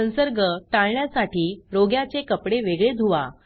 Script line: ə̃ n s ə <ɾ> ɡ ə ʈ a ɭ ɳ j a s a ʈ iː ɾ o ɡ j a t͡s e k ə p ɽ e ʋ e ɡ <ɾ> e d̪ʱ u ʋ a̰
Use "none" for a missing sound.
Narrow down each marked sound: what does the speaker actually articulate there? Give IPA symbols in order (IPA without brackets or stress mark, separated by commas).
ɾ, ɭ